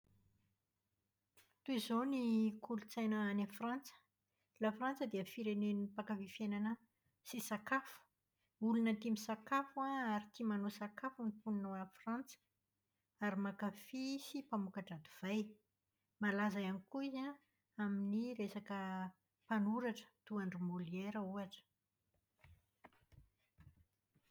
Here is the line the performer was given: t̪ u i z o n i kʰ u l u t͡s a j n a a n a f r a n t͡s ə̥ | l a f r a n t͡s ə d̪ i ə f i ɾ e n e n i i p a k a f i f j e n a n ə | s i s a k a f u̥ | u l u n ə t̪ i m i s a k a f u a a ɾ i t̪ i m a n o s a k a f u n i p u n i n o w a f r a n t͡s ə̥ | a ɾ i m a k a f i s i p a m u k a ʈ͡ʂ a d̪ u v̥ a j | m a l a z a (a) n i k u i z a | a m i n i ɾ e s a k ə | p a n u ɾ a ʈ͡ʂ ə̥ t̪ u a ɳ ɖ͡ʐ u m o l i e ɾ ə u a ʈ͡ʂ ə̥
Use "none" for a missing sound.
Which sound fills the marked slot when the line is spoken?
a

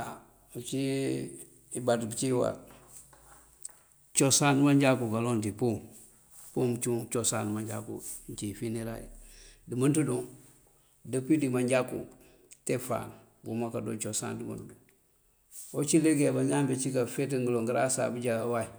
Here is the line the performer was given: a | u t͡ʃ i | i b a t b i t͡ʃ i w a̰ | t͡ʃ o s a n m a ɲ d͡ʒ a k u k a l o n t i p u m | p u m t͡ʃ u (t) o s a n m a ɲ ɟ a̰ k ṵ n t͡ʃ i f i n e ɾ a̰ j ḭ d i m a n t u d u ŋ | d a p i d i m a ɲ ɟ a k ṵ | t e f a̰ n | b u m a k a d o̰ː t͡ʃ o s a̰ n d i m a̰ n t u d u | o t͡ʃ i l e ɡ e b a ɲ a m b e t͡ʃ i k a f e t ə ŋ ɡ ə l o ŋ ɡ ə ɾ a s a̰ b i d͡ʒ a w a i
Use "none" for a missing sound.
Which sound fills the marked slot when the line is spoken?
t͡ʃ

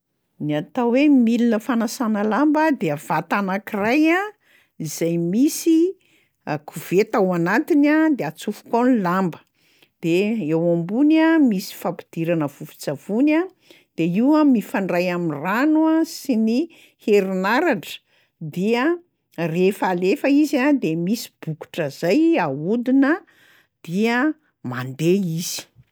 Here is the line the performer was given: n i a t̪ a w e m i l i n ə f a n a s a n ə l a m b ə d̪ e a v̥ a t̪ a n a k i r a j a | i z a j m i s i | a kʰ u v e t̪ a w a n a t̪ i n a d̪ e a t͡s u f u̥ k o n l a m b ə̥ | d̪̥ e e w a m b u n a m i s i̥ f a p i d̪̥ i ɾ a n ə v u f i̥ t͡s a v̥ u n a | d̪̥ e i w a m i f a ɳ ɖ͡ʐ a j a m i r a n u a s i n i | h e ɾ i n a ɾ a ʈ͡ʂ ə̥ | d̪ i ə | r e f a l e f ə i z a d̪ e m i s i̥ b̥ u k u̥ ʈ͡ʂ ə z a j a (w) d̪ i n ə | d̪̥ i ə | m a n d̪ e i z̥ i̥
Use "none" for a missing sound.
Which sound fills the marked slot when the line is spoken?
u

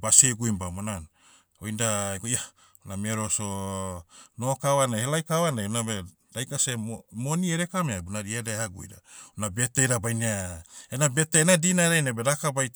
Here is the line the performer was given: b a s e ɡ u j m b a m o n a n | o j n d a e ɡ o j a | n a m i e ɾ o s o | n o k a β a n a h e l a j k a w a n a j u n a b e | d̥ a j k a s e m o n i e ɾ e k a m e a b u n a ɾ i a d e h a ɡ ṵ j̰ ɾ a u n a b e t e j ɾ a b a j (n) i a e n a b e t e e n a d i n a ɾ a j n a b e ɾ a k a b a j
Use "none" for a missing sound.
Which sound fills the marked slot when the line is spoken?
n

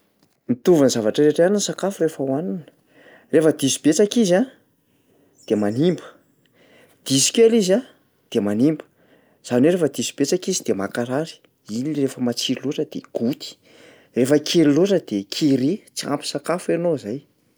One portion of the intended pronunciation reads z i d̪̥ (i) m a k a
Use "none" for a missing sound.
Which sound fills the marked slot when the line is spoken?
e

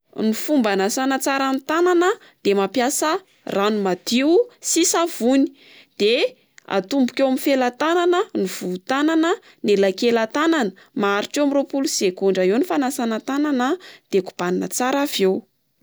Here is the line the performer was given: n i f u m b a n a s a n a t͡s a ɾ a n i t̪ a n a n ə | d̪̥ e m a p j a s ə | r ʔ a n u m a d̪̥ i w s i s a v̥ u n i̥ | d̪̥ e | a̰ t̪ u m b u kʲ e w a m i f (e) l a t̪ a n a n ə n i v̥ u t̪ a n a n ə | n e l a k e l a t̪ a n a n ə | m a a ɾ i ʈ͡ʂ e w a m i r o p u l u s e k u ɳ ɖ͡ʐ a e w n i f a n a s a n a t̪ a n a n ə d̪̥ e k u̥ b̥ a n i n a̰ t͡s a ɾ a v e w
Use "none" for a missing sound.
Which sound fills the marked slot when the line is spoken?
e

